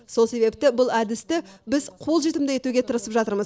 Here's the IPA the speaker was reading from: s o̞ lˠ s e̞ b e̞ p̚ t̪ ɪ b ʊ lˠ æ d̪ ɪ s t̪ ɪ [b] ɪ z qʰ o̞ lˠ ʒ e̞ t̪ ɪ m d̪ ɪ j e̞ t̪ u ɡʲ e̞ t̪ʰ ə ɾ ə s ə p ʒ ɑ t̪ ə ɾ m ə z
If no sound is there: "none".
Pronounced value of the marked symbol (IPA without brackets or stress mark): b